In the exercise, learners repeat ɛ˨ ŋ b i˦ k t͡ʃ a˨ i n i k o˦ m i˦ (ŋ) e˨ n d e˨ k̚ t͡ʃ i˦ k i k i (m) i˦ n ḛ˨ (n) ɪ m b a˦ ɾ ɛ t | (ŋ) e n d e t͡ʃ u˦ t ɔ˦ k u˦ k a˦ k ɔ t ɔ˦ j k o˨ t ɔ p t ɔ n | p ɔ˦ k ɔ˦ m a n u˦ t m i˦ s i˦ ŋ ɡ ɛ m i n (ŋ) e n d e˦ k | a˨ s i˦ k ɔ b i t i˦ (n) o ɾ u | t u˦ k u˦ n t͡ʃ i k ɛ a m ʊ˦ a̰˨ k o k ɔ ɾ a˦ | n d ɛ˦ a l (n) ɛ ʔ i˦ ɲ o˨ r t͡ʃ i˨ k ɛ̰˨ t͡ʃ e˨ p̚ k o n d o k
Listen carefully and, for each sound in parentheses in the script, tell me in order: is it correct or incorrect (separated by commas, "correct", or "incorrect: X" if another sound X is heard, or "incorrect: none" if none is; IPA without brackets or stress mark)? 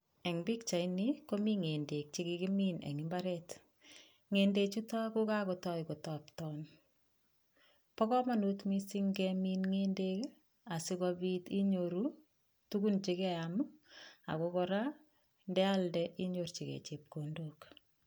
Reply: correct, correct, incorrect: ŋ, correct, correct, incorrect: ɲ, incorrect: d